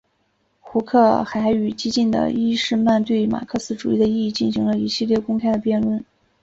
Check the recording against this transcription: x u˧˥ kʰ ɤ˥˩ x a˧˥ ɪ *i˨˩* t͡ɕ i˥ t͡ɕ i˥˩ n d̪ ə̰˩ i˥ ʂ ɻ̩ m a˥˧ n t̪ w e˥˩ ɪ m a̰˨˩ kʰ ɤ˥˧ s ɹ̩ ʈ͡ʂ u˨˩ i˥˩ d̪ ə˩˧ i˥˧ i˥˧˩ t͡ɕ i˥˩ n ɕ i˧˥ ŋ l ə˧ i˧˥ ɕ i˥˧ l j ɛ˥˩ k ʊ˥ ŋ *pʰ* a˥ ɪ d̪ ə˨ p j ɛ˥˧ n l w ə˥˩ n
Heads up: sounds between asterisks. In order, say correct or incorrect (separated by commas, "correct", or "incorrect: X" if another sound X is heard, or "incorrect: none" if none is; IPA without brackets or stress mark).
incorrect: y˨˩, incorrect: kʰ